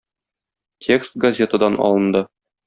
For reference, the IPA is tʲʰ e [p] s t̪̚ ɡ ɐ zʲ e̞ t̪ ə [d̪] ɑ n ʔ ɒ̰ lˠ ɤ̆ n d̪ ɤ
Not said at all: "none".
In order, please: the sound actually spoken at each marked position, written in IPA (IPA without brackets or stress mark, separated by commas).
k, d̪